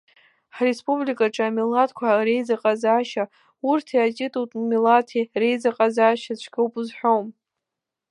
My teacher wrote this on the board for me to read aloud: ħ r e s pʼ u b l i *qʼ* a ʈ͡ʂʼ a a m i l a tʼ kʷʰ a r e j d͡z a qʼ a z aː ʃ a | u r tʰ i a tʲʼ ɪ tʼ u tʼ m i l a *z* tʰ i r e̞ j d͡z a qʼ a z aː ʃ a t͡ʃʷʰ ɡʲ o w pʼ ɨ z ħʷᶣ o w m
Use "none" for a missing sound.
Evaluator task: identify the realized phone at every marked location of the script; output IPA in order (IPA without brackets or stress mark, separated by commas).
kʼ, none